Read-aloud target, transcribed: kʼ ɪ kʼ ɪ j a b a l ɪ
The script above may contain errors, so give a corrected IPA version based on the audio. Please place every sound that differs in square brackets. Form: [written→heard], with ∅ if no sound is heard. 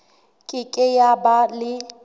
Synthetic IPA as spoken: kʼ ɪ kʼ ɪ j a b a l ɪ